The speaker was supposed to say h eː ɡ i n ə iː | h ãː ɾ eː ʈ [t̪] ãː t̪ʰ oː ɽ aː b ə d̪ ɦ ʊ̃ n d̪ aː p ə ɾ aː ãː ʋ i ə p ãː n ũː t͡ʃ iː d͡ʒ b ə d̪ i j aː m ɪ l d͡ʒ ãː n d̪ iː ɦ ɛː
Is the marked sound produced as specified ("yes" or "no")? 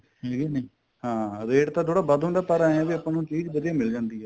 yes